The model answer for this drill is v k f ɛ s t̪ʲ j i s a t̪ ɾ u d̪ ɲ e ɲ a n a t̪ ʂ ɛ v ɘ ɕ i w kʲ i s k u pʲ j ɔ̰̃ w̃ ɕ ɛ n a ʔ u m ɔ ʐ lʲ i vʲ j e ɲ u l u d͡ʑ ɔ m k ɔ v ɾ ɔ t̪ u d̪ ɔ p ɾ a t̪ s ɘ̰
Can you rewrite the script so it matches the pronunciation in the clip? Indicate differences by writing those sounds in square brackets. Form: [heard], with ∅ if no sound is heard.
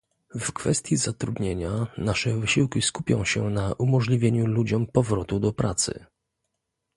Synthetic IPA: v k f ɛ s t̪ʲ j i [z] a t̪ ɾ u d̪ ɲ e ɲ a n a [∅] ʂ ɛ v ɘ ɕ i w kʲ i s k u pʲ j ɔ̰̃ w̃ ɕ ɛ n a ʔ u m ɔ ʐ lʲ i vʲ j e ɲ u l u d͡ʑ ɔ m [p] ɔ v ɾ ɔ t̪ u d̪ ɔ p ɾ a t̪ s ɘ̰